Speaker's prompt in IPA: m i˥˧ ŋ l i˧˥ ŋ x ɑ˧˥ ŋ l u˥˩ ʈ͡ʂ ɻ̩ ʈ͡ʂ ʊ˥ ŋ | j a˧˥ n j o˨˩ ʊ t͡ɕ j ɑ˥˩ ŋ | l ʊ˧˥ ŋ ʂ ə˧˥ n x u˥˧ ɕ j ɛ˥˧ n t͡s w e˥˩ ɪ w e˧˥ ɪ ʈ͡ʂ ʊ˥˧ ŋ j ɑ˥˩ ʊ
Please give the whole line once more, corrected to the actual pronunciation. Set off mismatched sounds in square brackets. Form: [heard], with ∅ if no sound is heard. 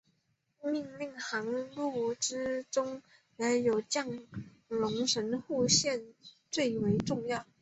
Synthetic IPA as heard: m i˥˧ ŋ l [i˥˩] ŋ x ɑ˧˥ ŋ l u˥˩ ʈ͡ʂ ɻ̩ ʈ͡ʂ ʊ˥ ŋ | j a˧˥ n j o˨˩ ʊ t͡ɕ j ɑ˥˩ ŋ | l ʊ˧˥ ŋ ʂ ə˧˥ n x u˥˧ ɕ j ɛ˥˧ n t͡s w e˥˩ ɪ w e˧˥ ɪ ʈ͡ʂ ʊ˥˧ ŋ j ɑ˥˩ ʊ

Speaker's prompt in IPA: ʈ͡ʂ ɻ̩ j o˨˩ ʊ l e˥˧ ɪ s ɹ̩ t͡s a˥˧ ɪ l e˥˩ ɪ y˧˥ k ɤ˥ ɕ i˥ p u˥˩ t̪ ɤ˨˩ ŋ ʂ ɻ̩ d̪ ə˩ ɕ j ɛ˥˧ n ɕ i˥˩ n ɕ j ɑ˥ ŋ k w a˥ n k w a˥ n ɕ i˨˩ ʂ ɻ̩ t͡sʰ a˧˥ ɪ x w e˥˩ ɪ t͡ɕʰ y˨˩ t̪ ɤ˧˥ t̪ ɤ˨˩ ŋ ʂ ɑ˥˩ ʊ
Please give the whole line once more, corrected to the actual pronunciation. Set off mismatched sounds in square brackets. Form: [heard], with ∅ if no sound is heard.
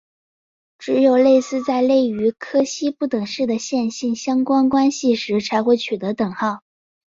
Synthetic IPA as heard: ʈ͡ʂ ɻ̩ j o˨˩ ʊ l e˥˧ ɪ s ɹ̩ t͡s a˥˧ ɪ l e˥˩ ɪ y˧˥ [kʰ] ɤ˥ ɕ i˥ p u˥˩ t̪ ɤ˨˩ ŋ ʂ ɻ̩ d̪ ə˩ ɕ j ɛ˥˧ n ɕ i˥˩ n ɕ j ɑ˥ ŋ k w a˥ n k w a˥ n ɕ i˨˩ ʂ ɻ̩ t͡sʰ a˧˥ ɪ x w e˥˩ ɪ t͡ɕʰ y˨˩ t̪ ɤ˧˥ t̪ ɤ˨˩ ŋ [x] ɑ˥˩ ʊ

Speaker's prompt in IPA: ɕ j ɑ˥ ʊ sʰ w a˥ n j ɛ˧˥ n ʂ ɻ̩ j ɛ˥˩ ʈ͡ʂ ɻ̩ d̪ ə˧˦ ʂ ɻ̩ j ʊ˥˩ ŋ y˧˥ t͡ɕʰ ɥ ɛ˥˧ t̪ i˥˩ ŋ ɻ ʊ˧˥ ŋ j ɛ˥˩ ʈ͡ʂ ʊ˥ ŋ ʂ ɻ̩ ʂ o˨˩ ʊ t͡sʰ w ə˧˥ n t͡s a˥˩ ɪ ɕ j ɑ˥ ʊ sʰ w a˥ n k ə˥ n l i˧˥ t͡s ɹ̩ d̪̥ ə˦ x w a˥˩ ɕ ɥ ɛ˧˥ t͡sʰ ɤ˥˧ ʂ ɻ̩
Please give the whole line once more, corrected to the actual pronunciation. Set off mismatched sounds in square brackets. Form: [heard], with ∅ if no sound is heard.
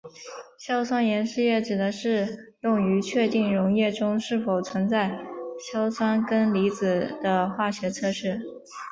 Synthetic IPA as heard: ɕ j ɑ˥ ʊ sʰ w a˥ n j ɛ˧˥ n ʂ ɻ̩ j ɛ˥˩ ʈ͡ʂ ɻ̩ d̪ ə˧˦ ʂ ɻ̩ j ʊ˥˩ ŋ y˧˥ t͡ɕʰ ɥ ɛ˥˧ t̪ i˥˩ ŋ ɻ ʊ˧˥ ŋ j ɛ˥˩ ʈ͡ʂ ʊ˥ ŋ ʂ ɻ̩ [f] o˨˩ ʊ t͡sʰ w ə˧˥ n t͡s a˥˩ ɪ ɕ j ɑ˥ ʊ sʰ w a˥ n k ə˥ n l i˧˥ t͡s ɹ̩ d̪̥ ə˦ x w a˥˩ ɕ ɥ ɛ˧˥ t͡sʰ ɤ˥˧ ʂ ɻ̩

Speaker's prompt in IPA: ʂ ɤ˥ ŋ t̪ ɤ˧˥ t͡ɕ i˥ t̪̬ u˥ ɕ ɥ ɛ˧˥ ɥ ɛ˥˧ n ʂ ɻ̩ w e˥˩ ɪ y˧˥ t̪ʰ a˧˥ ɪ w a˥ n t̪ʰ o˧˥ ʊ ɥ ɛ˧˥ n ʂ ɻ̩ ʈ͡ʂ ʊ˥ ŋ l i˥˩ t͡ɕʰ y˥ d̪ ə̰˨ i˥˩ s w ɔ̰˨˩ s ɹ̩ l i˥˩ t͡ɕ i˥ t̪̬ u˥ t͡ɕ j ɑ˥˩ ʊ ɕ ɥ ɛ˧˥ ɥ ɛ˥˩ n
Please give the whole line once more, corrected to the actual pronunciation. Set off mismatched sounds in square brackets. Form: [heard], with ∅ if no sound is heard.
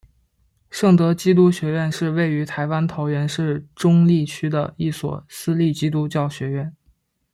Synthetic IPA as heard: ʂ [ɤ˥˩] ŋ t̪ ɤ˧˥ t͡ɕ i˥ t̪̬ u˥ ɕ ɥ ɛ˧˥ ɥ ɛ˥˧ n ʂ ɻ̩ w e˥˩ ɪ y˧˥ t̪ʰ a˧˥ ɪ w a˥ n t̪ʰ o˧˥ ʊ ɥ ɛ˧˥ n ʂ ɻ̩ ʈ͡ʂ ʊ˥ ŋ l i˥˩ t͡ɕʰ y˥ d̪ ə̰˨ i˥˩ s w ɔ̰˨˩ s ɹ̩ l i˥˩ t͡ɕ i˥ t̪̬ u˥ t͡ɕ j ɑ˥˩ ʊ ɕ ɥ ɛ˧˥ ɥ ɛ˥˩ n

